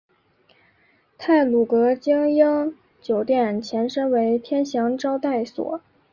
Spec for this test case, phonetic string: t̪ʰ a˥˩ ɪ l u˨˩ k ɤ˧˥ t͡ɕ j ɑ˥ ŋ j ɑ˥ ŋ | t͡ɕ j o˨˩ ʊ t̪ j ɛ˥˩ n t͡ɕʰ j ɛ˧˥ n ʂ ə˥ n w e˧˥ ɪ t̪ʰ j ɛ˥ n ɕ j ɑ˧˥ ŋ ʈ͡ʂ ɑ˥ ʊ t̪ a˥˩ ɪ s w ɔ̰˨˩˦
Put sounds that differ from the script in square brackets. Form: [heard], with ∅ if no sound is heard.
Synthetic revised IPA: t̪ʰ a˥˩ ɪ l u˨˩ k ɤ˧˥ t͡ɕ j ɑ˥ ŋ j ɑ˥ ŋ | t͡ɕ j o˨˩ ʊ t̪ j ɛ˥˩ n t͡ɕʰ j ɛ˧˥ n ʂ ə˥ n w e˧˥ ɪ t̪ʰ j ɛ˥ n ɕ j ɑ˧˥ ŋ ʈ͡ʂ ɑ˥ ʊ t̪ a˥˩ ɪ s w ɔ̰˨˩˦